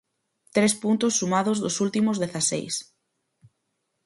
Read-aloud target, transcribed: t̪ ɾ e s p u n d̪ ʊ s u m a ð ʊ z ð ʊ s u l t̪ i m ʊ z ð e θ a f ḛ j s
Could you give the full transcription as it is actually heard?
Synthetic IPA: t̪ ɾ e s p u n t̪ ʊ sː u m a ð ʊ z ð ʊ s u l t̪ i m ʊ z ð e θ a s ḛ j s